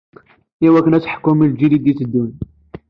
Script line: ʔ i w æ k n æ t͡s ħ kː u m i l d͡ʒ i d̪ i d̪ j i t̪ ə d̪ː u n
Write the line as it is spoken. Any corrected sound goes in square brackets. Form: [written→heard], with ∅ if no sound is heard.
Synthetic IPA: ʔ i w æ k n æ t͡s ħ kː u m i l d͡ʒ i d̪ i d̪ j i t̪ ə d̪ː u n